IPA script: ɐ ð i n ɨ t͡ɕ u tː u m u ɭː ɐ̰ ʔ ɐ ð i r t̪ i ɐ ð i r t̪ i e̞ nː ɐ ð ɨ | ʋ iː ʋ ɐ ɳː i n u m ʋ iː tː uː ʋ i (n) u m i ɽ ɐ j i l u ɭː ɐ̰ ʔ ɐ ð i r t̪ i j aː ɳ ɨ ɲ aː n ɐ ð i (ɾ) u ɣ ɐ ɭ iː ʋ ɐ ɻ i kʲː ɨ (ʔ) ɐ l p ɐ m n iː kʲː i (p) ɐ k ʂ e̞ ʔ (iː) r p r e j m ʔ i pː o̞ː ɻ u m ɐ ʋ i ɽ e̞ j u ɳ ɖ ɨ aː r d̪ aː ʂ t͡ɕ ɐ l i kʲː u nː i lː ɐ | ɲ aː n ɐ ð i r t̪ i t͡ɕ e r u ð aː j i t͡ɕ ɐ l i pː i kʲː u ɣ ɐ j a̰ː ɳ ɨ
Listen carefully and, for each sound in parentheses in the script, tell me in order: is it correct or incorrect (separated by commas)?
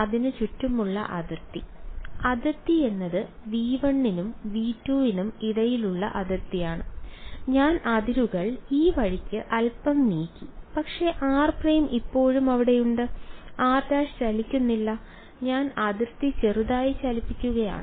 correct, correct, correct, correct, incorrect